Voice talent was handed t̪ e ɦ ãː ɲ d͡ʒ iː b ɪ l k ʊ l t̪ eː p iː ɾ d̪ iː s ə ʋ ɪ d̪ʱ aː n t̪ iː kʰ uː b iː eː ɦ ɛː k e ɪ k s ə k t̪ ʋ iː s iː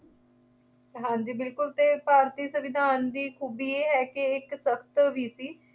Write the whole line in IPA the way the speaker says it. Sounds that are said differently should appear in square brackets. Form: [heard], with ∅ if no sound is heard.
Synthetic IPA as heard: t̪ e ɦ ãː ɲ d͡ʒ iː b ɪ l k ʊ l t̪ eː p [aː] ɾ [t̪] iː s ə ʋ ɪ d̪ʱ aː n [d̪] iː kʰ uː b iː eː ɦ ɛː k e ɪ k s ə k t̪ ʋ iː s iː